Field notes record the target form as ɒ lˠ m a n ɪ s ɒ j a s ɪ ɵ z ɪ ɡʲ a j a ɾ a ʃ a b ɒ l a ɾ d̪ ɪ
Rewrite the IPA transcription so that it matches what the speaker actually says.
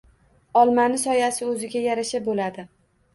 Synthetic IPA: ɒ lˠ m a n ɪ s ɒ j a s ɪ ɵ z ɪ ɡʲ a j a ɾ a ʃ a b o l a d̪ ɪ